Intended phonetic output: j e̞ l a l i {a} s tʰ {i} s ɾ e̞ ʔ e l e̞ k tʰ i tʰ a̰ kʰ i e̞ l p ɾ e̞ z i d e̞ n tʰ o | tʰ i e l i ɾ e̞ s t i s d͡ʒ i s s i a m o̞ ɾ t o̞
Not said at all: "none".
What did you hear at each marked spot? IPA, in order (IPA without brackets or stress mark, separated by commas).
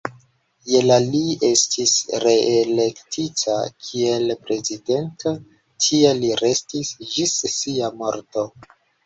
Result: e, i